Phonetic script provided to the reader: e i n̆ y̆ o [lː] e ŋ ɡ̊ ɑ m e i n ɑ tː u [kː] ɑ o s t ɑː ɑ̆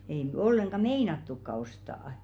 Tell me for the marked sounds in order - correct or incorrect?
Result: correct, correct

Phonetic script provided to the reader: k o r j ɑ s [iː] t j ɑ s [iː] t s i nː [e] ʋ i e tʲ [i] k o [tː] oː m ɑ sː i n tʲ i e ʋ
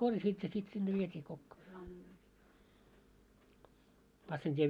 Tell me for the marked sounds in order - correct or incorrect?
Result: correct, incorrect, correct, incorrect, incorrect

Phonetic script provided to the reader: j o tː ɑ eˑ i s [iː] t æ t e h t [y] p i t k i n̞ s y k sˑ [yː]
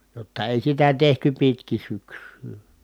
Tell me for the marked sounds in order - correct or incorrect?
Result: incorrect, correct, correct

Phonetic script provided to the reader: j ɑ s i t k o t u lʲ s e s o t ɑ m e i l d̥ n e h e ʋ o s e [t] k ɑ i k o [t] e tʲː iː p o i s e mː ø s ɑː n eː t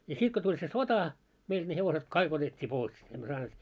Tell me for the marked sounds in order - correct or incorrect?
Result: correct, correct

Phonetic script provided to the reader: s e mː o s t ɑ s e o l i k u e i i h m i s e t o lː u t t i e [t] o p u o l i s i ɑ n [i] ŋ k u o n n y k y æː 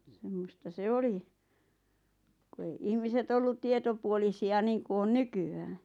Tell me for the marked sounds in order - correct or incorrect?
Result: correct, incorrect

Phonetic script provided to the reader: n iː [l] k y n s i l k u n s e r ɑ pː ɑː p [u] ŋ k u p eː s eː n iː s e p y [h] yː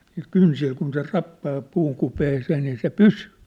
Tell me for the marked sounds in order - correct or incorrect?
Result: correct, incorrect, incorrect

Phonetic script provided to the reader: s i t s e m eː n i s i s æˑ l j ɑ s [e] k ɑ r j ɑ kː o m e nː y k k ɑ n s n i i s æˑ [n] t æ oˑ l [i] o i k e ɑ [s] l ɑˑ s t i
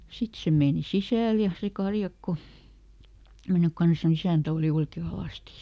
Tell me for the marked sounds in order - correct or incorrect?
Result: correct, correct, correct, incorrect

